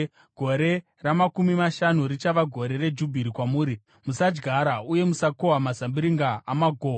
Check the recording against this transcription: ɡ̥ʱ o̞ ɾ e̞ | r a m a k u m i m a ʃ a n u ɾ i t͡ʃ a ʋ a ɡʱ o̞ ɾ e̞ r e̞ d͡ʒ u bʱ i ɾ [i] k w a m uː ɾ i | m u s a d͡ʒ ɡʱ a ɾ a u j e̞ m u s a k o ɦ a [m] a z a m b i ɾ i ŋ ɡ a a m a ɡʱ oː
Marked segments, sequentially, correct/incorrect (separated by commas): correct, correct